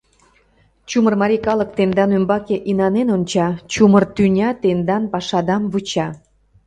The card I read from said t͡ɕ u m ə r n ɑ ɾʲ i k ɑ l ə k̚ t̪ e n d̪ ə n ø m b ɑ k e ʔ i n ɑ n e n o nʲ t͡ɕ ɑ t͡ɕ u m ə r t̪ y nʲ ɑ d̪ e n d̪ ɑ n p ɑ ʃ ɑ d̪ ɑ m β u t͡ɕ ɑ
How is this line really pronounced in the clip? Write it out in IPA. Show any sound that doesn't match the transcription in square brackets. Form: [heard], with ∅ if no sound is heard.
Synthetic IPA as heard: t͡ɕ u m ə r [m] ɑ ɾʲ i k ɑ l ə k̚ t̪ e n d̪ [ɑ] n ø m b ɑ k e ʔ i n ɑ n e n o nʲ t͡ɕ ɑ t͡ɕ u m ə r t̪ y nʲ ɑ [t̪] e n d̪ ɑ n p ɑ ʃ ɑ d̪ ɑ m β u t͡ɕ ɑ